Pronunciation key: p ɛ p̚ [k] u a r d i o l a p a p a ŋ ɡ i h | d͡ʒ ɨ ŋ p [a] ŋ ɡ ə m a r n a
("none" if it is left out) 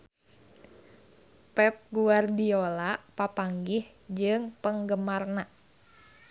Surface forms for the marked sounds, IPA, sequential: ɡ, ə

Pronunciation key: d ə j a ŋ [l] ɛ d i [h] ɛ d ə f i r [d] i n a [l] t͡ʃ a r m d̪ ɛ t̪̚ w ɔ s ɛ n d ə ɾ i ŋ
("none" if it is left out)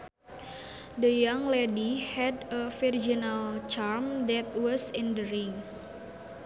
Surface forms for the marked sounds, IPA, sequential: l, h, d͡ʒ, l

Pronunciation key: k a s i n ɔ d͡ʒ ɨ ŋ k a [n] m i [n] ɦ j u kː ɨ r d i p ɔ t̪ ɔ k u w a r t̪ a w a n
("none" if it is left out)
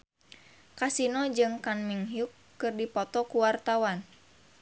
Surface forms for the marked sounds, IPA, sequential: n, ŋ

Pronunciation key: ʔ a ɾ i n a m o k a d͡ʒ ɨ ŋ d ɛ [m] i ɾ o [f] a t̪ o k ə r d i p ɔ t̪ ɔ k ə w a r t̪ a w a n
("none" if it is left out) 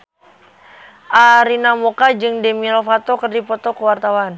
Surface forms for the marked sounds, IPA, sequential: m, f

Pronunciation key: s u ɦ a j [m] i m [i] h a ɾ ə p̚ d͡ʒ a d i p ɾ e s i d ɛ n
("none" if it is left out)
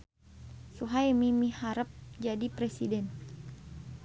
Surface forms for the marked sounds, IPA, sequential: m, i

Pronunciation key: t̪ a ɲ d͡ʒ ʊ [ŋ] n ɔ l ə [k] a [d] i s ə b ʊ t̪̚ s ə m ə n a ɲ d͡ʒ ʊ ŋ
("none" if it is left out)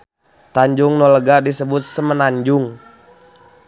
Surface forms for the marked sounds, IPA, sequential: ŋ, ɡ, d

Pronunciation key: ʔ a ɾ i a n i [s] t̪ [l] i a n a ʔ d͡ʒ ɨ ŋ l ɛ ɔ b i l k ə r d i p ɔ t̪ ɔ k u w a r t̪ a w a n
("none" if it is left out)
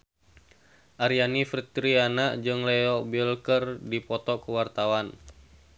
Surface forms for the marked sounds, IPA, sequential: f, ɾ

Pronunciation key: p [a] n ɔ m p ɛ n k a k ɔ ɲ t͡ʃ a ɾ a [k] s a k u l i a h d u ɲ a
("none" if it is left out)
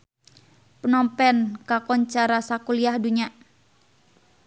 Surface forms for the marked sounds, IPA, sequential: ə, none

